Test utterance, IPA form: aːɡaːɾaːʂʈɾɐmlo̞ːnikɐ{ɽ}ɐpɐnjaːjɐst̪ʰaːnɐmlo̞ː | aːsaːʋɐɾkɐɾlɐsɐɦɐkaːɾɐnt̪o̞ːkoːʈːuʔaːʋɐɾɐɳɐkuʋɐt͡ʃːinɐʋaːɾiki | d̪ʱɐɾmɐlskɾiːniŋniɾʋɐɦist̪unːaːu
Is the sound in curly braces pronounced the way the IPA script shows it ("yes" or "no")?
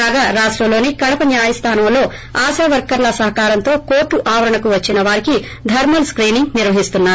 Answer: yes